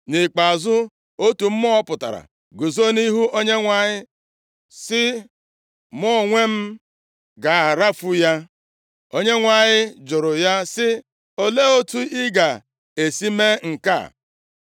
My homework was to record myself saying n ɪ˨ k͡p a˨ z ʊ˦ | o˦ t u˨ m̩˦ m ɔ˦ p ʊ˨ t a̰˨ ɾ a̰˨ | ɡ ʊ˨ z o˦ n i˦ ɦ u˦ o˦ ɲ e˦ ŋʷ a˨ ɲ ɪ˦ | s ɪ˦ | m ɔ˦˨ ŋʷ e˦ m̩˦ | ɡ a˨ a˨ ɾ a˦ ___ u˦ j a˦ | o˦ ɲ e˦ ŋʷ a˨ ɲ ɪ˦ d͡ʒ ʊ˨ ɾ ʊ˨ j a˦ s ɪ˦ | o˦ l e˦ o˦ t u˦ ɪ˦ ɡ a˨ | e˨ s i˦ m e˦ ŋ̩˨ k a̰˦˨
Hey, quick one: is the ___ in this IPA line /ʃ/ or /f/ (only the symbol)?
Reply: f